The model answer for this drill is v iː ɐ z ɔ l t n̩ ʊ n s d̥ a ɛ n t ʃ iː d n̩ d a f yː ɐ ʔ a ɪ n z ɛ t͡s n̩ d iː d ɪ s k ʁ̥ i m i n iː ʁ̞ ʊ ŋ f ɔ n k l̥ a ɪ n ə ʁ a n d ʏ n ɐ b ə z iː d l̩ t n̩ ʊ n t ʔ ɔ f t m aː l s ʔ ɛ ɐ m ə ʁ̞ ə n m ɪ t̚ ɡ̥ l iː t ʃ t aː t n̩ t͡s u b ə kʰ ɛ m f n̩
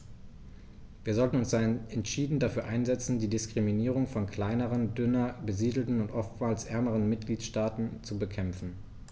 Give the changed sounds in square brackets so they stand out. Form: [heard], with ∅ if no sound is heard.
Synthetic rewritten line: v iː ɐ z ɔ l t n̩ ʊ n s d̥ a ɛ n t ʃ iː d n̩ d a f yː ɐ ʔ a ɪ n z ɛ t͡s n̩ d iː d ɪ s k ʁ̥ i m i n iː ʁ̞ ʊ ŋ f ɔ n k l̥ a ɪ n ə ʁ [ə] n d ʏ n ɐ b ə z iː d l̩ t n̩ ʊ n t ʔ ɔ f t m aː l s ʔ ɛ ɐ m ə ʁ̞ ə n m ɪ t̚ ɡ̥ l iː t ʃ t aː t n̩ t͡s u b ə kʰ ɛ m f n̩